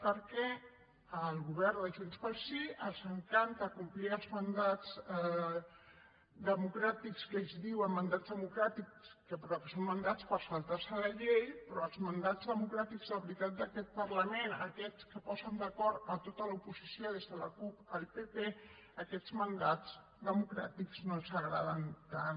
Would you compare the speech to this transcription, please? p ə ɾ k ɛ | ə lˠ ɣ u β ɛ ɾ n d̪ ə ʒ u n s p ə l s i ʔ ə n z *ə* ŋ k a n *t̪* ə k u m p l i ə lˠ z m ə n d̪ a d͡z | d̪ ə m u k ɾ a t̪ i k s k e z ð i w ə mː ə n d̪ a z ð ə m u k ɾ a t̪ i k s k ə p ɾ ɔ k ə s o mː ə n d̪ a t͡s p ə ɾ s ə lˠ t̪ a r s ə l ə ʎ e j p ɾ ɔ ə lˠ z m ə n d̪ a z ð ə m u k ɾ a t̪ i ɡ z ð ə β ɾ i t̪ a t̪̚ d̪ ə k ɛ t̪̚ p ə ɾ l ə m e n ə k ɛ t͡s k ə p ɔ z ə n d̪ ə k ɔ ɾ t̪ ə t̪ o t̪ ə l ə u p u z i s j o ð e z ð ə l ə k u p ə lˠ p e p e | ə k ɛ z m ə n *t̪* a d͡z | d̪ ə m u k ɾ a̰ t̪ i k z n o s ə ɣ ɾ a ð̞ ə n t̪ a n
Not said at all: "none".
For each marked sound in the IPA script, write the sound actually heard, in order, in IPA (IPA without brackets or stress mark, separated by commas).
ə, t̪, d̪